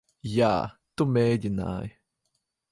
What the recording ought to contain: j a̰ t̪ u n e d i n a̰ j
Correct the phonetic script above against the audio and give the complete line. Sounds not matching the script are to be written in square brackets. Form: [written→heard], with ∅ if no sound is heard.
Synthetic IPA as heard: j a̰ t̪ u [n→m] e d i n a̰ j